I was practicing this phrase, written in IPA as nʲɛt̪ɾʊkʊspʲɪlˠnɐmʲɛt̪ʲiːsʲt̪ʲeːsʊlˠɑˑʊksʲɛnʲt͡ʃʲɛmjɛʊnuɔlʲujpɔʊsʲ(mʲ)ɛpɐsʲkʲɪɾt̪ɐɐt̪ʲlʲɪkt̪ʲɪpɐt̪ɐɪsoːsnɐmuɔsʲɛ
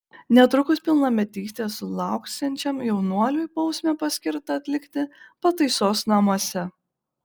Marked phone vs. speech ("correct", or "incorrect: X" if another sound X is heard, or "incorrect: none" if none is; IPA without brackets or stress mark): correct